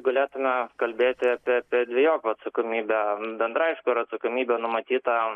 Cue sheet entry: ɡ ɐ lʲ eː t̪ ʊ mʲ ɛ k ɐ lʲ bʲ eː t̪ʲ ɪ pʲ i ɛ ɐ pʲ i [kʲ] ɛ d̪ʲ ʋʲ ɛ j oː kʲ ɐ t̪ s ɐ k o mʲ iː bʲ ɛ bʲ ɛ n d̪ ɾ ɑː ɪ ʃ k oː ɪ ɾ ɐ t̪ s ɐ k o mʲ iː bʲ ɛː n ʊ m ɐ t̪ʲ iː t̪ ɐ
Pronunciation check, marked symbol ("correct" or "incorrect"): incorrect